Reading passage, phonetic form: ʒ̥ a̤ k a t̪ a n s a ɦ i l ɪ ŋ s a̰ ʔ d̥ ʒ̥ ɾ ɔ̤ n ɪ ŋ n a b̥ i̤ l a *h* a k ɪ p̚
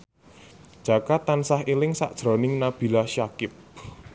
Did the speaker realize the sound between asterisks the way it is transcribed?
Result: no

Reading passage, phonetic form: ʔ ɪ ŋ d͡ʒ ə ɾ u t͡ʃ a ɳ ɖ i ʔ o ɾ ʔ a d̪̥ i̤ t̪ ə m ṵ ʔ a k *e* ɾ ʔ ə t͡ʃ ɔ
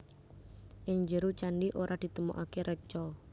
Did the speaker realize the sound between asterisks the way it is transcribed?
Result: yes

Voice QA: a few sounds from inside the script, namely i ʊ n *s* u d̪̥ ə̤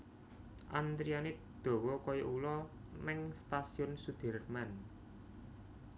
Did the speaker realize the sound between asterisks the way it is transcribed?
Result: yes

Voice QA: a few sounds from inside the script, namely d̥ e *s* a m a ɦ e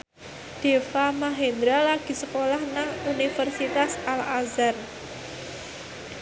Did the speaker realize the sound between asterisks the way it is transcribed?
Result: no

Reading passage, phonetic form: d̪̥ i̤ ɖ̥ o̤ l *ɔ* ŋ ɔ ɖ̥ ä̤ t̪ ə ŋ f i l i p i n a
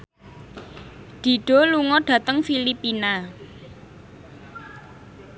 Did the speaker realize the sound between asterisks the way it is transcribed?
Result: no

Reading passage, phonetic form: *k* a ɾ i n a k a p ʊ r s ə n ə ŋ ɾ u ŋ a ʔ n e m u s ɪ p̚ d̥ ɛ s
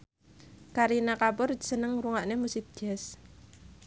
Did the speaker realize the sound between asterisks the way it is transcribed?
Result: yes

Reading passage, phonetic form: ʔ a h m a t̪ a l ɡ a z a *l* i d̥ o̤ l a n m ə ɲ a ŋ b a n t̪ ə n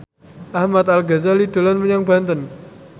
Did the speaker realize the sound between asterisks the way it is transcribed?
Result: yes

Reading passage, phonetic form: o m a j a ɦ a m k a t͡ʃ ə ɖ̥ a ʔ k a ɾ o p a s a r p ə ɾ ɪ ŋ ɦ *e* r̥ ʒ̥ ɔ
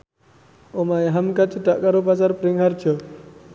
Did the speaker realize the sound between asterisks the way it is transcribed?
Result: no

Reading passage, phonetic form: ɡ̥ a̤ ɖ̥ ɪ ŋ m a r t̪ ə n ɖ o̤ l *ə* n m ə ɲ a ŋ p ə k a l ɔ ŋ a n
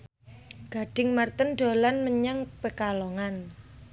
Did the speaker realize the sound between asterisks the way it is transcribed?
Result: no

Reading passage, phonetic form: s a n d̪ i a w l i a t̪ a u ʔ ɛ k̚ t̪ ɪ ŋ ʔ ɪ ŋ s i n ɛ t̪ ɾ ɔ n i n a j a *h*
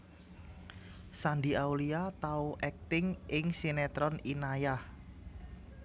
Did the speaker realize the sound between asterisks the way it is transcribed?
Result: yes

